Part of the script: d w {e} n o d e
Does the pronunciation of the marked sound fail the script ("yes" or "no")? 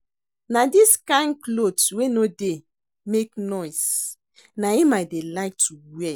no